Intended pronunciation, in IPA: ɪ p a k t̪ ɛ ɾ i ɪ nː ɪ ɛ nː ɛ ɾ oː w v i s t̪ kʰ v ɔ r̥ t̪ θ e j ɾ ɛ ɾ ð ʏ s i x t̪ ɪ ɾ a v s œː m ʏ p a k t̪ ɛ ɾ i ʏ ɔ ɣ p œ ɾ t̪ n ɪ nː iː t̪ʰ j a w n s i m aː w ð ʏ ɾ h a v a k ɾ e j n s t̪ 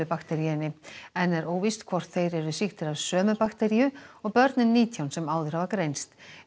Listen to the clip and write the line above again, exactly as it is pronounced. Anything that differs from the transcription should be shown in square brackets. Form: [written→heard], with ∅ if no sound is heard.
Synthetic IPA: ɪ p a k t̪ ɛ ɾ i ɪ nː ɪ ɛ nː ɛ ɾ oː w v i s t̪ kʰ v ɔ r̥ t̪ θ e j ɾ ɛ ɾ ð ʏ s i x t̪ ɪ ɾ a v s œː m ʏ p a k t̪ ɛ ɾ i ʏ ɔ ɣ p œ ɾ t̪ n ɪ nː iː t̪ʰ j a w n s [i→ɛ] m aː w ð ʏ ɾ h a v a k ɾ e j n s t̪